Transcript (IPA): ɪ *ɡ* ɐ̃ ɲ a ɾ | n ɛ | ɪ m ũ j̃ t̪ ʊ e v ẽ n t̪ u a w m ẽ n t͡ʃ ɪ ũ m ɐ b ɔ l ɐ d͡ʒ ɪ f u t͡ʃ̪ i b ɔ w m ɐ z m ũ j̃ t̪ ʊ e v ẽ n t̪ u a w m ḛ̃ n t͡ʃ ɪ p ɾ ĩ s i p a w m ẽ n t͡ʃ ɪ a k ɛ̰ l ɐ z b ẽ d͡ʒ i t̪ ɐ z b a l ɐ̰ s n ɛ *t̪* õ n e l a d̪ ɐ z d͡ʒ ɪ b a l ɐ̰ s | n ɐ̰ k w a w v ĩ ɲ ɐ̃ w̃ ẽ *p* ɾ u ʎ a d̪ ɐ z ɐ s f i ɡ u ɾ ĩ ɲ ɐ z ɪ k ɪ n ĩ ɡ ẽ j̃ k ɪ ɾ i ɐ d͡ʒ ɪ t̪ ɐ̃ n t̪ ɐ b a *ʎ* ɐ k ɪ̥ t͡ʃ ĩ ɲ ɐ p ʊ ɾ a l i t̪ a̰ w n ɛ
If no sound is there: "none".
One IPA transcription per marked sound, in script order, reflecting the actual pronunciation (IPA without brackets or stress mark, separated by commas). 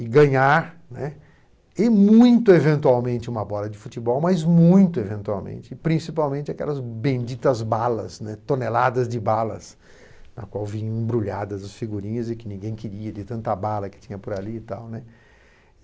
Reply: ɡ, t̪, b, l